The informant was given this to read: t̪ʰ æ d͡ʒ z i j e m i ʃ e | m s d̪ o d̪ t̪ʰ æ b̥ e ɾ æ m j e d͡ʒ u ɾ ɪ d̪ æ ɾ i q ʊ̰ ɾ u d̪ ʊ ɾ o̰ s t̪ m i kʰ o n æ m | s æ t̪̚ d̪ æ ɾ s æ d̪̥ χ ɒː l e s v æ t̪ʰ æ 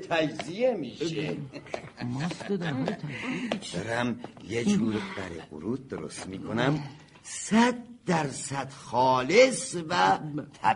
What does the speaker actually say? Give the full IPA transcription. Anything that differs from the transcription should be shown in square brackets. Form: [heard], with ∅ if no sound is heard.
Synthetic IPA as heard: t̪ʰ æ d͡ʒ z i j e m i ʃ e | m s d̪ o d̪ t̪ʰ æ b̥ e ɾ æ m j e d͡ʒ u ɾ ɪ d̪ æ ɾ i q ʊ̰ ɾ u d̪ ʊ ɾ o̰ s t̪ m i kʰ o n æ m | s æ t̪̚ d̪ æ ɾ s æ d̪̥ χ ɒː l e s v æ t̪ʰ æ